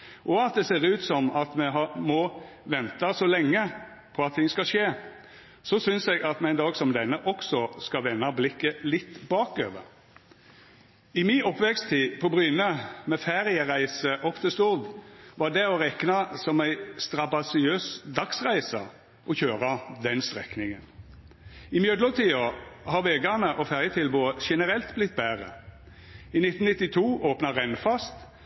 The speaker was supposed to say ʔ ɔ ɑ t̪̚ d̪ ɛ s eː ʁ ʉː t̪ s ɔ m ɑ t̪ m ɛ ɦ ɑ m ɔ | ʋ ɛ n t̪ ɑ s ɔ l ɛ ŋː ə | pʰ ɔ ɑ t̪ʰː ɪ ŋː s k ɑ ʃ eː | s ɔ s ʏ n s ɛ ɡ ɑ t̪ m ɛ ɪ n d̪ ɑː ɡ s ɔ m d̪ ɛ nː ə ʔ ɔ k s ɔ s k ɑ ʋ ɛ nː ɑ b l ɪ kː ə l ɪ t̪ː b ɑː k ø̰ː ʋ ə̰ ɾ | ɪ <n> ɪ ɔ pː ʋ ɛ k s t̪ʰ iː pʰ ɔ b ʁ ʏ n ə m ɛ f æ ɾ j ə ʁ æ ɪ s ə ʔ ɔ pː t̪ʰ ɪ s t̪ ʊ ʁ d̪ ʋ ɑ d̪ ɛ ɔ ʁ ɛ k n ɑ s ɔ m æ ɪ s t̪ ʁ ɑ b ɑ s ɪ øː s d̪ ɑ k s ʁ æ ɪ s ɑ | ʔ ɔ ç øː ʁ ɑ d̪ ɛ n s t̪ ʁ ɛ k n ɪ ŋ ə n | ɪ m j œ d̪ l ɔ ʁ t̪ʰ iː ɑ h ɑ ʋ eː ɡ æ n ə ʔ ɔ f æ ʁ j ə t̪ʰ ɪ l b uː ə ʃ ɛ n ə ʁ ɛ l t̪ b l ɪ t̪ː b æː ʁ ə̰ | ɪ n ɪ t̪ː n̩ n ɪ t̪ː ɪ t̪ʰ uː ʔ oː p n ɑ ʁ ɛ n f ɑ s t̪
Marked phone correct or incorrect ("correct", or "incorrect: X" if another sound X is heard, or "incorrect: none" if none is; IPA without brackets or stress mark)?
incorrect: m